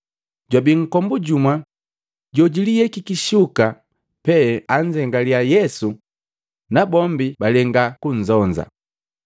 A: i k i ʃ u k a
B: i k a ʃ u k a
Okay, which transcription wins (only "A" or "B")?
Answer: A